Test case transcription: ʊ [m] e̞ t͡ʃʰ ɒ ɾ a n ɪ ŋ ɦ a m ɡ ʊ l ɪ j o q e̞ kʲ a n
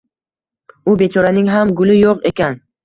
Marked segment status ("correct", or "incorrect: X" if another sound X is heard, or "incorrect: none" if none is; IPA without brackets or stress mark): incorrect: b